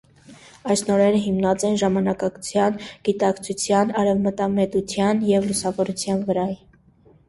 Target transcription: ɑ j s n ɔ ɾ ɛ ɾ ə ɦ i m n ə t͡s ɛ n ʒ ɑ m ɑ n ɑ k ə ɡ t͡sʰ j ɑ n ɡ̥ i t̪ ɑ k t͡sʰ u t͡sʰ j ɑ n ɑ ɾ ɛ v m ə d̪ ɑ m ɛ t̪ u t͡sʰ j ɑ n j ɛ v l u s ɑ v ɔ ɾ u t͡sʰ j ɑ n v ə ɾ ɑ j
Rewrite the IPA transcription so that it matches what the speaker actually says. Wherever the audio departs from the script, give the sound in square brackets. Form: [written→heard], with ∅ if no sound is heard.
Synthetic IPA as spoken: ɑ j s n ɔ ɾ ɛ ɾ ə ɦ i m n [ə→ɑ] t͡s ɛ n ʒ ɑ m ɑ n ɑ k [ə→ɑ] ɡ t͡sʰ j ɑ n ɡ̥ i t̪ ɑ k t͡sʰ u t͡sʰ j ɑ n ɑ ɾ ɛ v m ə [d̪→t̪] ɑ m ɛ t̪ u t͡sʰ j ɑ n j ɛ v l u s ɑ v ɔ ɾ u t͡sʰ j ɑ n v ə ɾ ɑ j

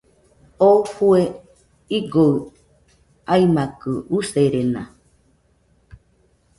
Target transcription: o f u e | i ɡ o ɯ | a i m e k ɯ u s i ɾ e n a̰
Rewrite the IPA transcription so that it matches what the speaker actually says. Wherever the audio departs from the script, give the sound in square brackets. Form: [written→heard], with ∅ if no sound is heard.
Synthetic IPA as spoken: o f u e | i ɡ o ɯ | a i m [e→a] k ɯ u s [i→e] ɾ e n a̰

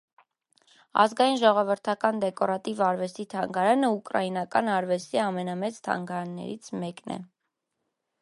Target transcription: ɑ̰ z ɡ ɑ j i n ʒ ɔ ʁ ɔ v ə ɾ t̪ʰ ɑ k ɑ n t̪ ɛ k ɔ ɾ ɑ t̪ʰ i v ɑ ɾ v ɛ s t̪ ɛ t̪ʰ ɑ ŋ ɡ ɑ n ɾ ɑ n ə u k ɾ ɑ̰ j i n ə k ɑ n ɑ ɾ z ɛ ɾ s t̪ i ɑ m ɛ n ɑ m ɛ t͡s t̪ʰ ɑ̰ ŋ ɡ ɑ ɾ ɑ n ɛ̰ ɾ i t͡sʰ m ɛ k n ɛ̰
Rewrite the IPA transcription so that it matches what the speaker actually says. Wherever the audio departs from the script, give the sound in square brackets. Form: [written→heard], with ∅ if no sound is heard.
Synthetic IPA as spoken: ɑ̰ z ɡ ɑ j i n ʒ ɔ ʁ ɔ v ə ɾ t̪ʰ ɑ k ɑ n [t̪→d̪] ɛ k ɔ ɾ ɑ [t̪ʰ→t̪] i v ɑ ɾ v ɛ s t̪ [ɛ→i] t̪ʰ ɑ ŋ ɡ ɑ [n→∅] ɾ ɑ n ə u k ɾ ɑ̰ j i n [ə→ɑ] k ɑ n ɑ ɾ [z→v] ɛ [ɾ→∅] s t̪ i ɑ m ɛ n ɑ m ɛ t͡s t̪ʰ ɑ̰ ŋ ɡ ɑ ɾ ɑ [n→nː] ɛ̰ ɾ i t͡sʰ m ɛ k n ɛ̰

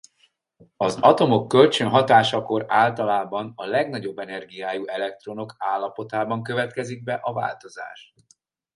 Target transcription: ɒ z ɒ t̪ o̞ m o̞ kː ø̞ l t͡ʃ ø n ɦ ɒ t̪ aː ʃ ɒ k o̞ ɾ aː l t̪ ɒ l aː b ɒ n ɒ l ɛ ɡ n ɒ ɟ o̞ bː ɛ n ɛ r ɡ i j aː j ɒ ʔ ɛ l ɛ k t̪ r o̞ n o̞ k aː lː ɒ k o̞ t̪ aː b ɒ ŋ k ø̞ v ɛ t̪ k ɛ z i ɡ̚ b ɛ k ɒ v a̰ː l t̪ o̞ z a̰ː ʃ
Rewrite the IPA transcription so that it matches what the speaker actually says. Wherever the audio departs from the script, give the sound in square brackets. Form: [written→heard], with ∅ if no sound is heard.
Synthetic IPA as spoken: ɒ z ɒ t̪ o̞ m o̞ kː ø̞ l t͡ʃ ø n ɦ ɒ t̪ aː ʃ ɒ k o̞ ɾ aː l t̪ ɒ l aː b ɒ n ɒ l ɛ ɡ n ɒ ɟ o̞ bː ɛ n ɛ r ɡ i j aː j [ɒ→u] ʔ ɛ l ɛ k t̪ r o̞ n o̞ k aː lː ɒ [k→p] o̞ t̪ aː b ɒ ŋ k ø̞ v ɛ t̪ k ɛ z i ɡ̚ b ɛ [k→ʔ] ɒ v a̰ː l t̪ o̞ z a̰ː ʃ

